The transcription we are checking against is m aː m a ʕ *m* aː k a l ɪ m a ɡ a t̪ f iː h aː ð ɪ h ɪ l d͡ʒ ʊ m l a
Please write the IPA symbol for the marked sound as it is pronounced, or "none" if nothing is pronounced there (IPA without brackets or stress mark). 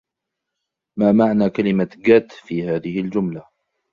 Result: n